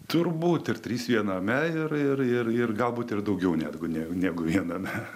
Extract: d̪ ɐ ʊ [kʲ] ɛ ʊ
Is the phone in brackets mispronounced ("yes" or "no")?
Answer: yes